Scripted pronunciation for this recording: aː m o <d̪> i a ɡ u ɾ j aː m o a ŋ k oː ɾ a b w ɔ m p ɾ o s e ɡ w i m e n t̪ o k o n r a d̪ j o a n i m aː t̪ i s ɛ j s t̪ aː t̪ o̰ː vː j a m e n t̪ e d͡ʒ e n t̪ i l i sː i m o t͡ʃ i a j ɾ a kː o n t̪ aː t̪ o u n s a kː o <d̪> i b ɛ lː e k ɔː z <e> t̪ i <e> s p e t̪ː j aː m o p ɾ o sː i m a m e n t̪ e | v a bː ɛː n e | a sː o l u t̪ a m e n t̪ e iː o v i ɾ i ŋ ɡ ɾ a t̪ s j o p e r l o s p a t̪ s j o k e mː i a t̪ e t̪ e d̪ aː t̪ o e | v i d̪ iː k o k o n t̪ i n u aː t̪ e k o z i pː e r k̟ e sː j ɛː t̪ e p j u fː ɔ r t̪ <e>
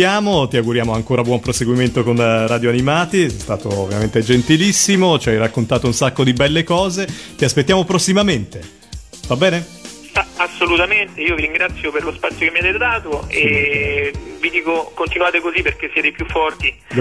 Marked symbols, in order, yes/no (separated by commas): no, yes, yes, no, no